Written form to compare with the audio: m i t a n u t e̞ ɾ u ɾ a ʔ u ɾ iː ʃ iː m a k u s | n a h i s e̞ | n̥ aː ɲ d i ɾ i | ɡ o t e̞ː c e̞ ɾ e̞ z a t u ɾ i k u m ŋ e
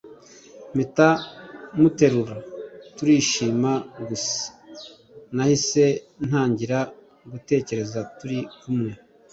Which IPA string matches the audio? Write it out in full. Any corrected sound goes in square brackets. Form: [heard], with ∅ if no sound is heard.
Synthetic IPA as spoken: m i t a [m] u t e̞ ɾ u ɾ a [t] u ɾ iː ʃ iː m a [ɡ] u s | n a h i s e̞ | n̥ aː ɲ [ɟ] i ɾ [a] | ɡ [u] t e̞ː c e̞ ɾ e̞ z a t u ɾ i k u m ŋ e